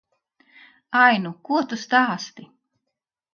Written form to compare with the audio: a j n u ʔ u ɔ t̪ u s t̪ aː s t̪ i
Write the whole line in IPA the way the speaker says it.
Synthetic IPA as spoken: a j n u k u ɔ t̪ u s t̪ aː s t̪ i